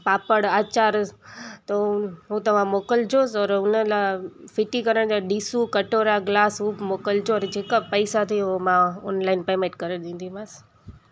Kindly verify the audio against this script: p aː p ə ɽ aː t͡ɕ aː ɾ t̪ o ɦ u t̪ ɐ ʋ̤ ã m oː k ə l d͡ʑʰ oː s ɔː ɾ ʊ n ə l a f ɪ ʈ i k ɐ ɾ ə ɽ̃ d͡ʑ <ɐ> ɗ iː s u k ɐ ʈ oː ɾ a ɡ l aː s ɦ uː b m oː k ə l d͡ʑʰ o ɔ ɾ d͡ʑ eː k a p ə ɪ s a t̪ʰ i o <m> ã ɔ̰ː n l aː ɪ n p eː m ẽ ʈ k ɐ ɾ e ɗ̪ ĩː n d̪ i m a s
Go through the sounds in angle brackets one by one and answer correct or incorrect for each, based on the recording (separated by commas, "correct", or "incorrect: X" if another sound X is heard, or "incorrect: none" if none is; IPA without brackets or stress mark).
incorrect: a, correct